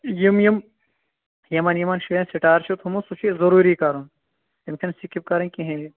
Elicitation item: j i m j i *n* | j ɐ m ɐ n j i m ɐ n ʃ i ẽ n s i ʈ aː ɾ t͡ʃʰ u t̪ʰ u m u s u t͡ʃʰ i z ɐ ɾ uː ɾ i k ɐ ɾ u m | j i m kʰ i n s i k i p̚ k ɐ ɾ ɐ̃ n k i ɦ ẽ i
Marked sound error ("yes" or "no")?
yes